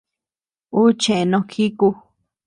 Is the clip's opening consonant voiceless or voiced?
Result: voiceless